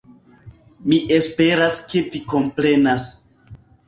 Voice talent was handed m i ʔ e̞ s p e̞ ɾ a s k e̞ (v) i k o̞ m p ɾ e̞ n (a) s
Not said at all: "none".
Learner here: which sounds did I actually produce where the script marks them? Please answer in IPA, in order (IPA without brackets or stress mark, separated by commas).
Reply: v, a